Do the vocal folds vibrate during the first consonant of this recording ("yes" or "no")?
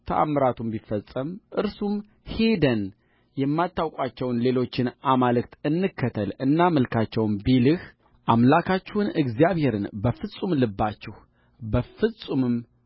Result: no